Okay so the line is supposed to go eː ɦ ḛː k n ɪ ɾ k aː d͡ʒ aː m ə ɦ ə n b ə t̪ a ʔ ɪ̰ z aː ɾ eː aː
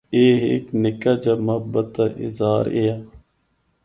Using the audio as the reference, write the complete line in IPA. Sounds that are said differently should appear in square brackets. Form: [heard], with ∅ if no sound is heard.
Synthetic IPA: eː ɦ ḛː k n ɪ [∅] k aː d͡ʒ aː m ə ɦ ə [∅] b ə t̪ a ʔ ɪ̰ z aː ɾ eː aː